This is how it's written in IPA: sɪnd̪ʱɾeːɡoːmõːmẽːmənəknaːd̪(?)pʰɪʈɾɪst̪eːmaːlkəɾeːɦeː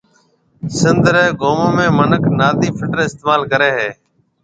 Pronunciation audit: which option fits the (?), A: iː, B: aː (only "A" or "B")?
A